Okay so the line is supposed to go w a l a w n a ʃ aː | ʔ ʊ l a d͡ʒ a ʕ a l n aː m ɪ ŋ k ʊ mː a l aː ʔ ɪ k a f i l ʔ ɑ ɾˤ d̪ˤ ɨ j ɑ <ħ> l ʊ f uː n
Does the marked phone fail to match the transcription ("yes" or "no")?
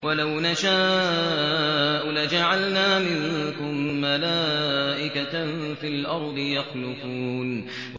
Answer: yes